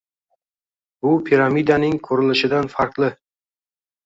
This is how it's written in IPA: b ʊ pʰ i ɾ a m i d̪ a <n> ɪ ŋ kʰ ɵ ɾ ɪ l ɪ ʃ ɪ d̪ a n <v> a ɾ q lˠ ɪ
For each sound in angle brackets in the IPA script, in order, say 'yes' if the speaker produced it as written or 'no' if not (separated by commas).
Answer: yes, no